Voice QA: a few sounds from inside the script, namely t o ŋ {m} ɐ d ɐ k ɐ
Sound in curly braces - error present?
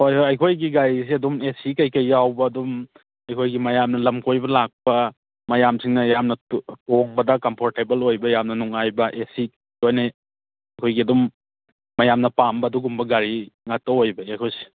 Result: yes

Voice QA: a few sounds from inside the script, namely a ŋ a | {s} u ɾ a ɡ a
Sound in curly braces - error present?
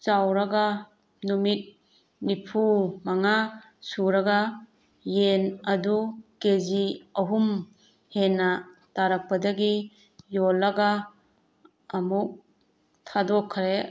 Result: no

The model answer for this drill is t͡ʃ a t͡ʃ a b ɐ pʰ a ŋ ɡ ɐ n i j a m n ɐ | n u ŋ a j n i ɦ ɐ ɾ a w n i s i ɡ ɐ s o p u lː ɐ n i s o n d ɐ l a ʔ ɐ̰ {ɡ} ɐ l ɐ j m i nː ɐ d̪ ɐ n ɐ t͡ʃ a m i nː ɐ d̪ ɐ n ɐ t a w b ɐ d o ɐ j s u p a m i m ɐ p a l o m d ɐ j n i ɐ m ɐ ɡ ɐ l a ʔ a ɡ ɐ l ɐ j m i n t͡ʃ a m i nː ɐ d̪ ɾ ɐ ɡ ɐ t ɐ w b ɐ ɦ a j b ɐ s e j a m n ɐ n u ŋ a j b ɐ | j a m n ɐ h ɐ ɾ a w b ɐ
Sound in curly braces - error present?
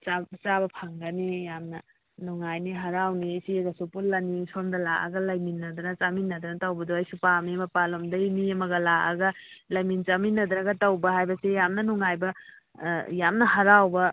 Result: no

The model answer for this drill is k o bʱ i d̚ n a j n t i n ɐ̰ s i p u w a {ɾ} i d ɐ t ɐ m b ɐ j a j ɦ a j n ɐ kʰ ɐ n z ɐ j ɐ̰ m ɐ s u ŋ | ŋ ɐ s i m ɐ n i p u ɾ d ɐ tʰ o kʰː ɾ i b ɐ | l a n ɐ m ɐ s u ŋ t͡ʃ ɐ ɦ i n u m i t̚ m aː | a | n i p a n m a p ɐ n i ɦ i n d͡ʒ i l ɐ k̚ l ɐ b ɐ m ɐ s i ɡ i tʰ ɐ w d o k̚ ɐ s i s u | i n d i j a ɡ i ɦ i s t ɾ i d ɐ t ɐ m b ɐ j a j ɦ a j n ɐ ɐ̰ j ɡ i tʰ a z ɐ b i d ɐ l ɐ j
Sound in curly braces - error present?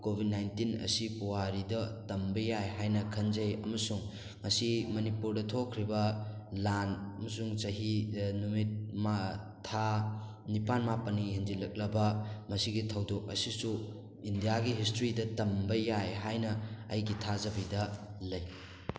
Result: no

